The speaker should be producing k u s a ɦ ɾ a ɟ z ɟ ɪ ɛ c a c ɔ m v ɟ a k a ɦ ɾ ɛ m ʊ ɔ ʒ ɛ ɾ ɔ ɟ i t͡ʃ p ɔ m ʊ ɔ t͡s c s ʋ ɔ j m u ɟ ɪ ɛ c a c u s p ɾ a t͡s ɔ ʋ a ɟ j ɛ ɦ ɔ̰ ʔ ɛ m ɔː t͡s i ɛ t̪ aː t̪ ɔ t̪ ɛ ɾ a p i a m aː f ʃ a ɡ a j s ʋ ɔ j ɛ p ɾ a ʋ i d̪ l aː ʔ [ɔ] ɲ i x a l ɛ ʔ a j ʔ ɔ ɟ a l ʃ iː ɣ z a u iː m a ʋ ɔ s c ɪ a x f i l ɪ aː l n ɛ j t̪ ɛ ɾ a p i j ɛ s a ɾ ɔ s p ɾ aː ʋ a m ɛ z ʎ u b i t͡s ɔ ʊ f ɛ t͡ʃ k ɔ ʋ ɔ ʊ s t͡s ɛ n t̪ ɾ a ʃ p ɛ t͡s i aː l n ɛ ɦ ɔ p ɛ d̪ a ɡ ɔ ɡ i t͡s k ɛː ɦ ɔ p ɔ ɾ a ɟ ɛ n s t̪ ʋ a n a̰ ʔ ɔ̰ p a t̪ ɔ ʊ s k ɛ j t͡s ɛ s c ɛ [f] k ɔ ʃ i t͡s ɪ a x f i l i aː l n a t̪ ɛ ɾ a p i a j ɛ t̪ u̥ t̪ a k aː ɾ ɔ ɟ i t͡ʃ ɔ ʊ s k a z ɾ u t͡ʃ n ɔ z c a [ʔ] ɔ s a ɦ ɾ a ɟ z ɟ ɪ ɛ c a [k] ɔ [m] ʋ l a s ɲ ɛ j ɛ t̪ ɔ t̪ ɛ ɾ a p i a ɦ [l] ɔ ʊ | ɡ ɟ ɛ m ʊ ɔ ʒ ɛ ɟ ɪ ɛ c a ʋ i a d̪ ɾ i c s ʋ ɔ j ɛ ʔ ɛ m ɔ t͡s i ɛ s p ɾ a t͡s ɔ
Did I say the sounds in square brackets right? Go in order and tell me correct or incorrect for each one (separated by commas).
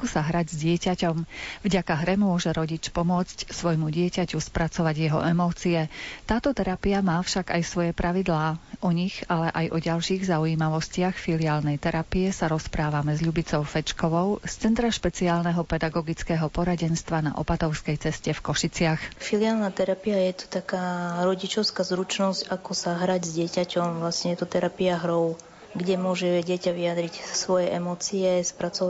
correct, correct, incorrect, incorrect, correct, incorrect